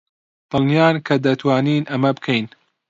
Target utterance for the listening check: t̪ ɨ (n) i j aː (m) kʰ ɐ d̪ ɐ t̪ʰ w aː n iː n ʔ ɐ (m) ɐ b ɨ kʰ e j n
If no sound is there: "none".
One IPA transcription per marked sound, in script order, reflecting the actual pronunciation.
n, n, m

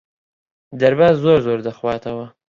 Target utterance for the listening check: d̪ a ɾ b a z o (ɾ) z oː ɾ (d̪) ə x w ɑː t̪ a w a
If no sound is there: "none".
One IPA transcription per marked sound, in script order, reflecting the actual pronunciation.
ɾ, d̪

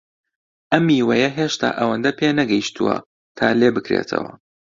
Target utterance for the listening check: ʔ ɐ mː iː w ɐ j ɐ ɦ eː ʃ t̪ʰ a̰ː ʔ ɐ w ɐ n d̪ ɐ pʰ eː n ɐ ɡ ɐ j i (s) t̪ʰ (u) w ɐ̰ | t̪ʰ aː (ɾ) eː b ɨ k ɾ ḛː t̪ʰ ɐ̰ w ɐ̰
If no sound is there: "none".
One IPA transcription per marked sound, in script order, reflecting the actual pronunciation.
ʃ, u, l

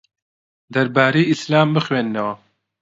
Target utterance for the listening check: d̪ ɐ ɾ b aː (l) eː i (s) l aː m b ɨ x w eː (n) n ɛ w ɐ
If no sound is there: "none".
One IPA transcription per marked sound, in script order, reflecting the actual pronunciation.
ɾ, s, n

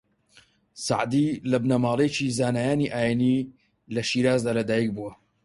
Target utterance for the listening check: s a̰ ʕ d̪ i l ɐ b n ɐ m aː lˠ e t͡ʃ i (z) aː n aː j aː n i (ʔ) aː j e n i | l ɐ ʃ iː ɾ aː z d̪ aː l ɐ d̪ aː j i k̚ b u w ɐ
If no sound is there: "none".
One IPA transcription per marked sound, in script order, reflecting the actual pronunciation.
z, ʔ

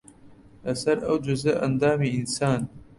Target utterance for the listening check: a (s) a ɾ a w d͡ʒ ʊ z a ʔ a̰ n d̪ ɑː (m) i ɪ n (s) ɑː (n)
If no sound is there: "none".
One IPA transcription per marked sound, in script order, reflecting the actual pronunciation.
s, m, s, n

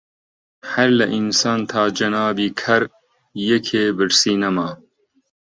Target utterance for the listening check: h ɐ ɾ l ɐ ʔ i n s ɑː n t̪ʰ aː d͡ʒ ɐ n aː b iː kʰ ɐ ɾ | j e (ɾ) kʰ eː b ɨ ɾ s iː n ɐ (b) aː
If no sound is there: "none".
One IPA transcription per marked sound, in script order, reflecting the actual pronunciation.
none, m

